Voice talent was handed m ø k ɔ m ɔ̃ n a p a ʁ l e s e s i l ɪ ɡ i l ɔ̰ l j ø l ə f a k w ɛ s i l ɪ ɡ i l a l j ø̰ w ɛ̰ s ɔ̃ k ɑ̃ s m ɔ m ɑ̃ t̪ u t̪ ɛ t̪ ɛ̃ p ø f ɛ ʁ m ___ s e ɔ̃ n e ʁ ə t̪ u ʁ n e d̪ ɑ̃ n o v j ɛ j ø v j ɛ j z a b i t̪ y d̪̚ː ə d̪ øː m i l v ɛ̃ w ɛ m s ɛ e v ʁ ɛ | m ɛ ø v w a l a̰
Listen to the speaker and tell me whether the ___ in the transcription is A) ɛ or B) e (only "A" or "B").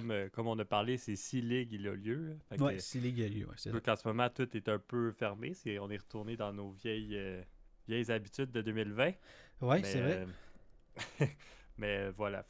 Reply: B